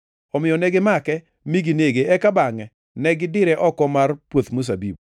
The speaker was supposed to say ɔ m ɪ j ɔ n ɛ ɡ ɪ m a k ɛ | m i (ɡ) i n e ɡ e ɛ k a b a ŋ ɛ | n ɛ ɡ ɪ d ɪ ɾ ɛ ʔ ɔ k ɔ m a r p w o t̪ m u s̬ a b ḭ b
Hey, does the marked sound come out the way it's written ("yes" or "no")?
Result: yes